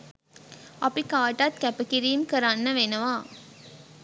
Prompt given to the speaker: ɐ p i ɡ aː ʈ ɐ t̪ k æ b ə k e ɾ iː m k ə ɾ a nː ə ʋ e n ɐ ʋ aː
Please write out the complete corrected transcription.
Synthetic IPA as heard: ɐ p i k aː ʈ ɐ t̪ k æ p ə k i ɾ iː m k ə ɾ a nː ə ʋ e n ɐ ʋ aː